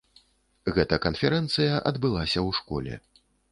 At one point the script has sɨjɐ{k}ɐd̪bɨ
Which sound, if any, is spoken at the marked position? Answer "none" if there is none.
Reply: ʔ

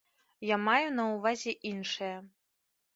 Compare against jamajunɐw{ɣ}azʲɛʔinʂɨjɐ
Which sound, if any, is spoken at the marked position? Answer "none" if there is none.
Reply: v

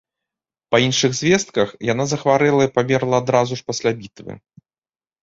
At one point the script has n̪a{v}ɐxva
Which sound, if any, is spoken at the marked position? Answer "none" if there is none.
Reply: z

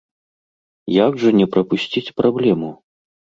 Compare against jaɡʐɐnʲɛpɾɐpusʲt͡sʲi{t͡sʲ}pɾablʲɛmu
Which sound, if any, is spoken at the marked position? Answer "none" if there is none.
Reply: t͡sʲ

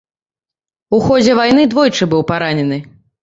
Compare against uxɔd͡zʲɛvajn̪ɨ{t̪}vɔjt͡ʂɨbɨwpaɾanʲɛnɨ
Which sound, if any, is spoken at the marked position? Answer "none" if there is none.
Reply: d̪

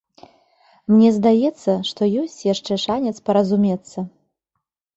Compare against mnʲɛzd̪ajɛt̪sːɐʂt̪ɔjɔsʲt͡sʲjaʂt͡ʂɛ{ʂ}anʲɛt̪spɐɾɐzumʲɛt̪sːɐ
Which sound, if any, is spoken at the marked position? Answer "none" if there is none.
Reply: ʂ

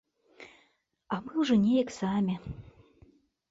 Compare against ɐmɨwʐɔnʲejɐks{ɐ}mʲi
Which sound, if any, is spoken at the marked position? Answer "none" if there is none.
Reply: a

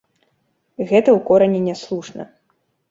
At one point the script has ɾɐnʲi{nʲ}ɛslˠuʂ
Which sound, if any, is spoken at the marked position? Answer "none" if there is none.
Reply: nʲ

